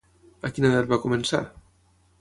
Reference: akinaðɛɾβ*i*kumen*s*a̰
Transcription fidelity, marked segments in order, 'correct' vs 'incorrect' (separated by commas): incorrect, correct